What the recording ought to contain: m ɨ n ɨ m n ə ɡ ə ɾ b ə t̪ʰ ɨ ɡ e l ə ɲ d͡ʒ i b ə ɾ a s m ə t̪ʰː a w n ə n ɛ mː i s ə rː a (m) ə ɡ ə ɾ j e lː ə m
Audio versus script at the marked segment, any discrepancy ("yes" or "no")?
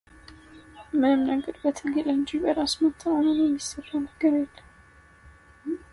yes